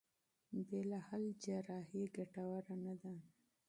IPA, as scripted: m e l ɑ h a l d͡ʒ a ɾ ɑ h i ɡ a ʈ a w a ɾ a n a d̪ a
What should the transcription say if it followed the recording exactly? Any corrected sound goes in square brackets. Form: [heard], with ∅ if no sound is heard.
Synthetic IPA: [b] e l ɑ h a l d͡ʒ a ɾ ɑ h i ɡ a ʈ a w a ɾ a n a d̪ a